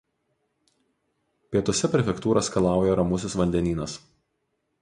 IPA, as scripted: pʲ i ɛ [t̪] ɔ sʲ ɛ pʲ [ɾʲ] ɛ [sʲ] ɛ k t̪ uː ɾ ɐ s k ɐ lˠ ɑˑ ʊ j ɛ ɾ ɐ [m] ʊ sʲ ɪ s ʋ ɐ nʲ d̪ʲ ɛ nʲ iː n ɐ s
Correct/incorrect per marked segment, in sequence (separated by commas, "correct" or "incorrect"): correct, correct, incorrect, correct